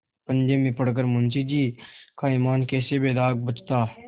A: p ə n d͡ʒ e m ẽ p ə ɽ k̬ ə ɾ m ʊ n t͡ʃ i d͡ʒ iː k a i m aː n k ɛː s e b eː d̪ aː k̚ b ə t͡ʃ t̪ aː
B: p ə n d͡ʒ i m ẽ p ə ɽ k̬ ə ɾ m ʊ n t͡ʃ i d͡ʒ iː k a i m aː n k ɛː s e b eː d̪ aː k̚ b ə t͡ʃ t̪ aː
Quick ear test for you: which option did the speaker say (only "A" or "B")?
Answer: A